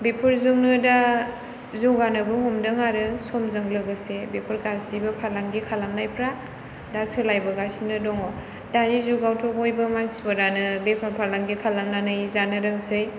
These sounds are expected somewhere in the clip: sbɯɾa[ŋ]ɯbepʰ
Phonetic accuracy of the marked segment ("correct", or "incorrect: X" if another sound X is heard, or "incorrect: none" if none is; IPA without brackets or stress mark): incorrect: n